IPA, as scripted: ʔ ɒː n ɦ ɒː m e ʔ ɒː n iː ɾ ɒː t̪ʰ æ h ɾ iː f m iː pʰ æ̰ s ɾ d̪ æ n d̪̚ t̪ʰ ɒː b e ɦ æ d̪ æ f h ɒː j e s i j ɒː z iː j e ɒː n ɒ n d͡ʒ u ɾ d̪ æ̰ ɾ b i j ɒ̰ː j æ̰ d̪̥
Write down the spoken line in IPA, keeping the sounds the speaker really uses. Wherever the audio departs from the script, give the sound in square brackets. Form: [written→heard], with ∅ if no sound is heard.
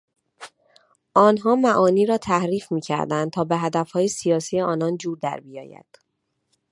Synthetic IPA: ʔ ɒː n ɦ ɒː m [e→æ] ʔ ɒː n iː ɾ ɒː t̪ʰ æ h ɾ iː f m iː [pʰ→cʰ] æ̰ [s→∅] ɾ d̪ æ n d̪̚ t̪ʰ ɒː b e ɦ æ d̪ æ f h ɒː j e s i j ɒː [z→s] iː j e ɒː n ɒ n d͡ʒ [u→uː] ɾ d̪ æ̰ ɾ b i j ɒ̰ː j æ̰ d̪̥

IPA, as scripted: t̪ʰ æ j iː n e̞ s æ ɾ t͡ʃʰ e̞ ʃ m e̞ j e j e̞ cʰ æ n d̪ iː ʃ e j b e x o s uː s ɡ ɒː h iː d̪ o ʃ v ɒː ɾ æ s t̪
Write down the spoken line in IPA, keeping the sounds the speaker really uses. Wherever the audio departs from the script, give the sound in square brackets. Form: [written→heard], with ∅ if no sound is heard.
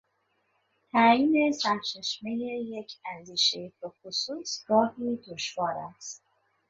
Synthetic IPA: t̪ʰ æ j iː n e̞ s æ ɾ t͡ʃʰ e̞ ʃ m e̞ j e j e̞ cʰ æ n d̪ iː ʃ e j b e x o s uː s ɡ ɒː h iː d̪ o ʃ v ɒː ɾ æ s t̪

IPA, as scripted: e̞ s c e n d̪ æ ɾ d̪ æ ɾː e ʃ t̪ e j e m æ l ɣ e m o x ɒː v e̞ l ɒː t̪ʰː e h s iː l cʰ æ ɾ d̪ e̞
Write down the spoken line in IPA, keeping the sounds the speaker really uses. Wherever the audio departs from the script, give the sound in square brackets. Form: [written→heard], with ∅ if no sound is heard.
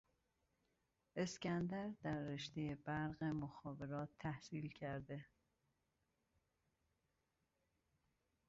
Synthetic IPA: e̞ s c [e→æ] n d̪ æ ɾ d̪ æ ɾː e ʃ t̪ e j e [m→b] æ [l→ɾ] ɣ e m o x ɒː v e̞ [l→ɾ] ɒː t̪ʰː [e→æ] h s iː l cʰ æ ɾ d̪ e̞

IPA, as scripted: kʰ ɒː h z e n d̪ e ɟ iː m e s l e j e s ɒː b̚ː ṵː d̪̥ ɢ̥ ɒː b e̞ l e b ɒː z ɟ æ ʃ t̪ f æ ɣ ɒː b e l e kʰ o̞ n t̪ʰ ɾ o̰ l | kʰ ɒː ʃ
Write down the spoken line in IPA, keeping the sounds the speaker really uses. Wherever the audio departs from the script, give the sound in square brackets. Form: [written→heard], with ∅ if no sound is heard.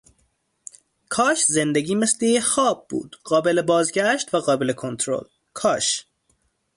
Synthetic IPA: kʰ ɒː [h→ʃ] z e n d̪ e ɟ iː m e s l e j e [s→x] ɒː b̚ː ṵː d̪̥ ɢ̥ ɒː b e̞ l e b ɒː z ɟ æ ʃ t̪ [f→v] æ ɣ ɒː b e l e kʰ o̞ n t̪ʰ ɾ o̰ l | kʰ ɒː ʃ

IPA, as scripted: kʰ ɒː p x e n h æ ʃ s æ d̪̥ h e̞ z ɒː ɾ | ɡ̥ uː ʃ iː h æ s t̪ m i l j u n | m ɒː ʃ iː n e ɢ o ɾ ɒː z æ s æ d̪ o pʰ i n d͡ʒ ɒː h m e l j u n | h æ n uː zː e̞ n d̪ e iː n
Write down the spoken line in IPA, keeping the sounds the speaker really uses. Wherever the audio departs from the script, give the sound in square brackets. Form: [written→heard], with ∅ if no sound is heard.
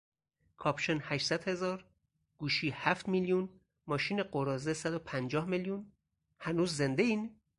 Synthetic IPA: kʰ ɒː p [x→ʃ] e n h æ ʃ s æ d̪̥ h e̞ z ɒː ɾ | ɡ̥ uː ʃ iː h æ [s→f] t̪ m i l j u n | m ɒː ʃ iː n e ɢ o ɾ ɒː z [æ→e] s æ d̪ o pʰ [i→æ] n d͡ʒ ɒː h m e l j u n | h æ n uː zː e̞ n d̪ e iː n

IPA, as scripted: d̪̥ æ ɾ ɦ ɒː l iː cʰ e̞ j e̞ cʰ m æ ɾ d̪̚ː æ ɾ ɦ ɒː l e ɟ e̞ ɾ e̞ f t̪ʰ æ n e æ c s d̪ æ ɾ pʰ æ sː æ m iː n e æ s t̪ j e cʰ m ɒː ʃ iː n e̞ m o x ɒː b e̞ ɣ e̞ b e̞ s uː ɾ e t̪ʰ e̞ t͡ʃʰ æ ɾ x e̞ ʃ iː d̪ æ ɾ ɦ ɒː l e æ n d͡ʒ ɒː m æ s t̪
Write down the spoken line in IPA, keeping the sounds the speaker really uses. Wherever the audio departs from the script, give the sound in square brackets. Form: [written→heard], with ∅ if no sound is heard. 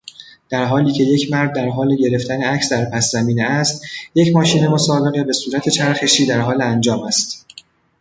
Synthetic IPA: d̪̥ æ ɾ ɦ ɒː l iː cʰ e̞ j e̞ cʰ m æ ɾ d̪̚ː æ ɾ ɦ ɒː l e ɟ e̞ ɾ e̞ f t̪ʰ æ n e æ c s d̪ æ ɾ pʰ æ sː æ m iː n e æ s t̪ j e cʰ m ɒː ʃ iː n e̞ m o [x→s] ɒː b e̞ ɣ e̞ b e̞ s uː ɾ [e→æ] t̪ʰ e̞ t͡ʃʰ æ ɾ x e̞ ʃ iː d̪ æ ɾ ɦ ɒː l e æ n d͡ʒ ɒː m æ s t̪

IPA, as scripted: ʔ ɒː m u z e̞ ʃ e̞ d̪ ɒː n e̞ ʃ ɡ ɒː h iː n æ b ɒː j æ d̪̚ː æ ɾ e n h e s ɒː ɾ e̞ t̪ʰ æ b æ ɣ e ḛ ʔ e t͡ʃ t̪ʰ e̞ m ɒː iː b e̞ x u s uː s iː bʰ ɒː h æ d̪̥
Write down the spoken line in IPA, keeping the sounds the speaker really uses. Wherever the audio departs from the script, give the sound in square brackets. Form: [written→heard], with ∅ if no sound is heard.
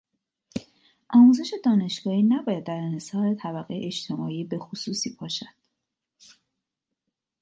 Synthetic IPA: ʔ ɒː m u z e̞ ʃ e̞ d̪ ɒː n e̞ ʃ ɡ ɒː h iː n æ b ɒː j æ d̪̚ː æ ɾ e n h e s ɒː ɾ e̞ t̪ʰ æ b æ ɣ e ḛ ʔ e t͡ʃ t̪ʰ e̞ m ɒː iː b e̞ x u s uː s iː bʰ ɒː [h→ʃ] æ d̪̥

